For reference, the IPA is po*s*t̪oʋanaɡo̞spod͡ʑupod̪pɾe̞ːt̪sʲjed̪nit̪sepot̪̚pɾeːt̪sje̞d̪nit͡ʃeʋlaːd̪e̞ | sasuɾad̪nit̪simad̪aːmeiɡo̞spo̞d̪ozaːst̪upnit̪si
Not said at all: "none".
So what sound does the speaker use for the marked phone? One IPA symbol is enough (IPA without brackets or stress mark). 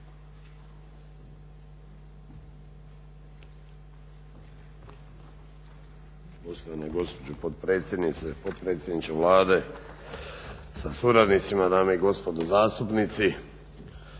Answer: s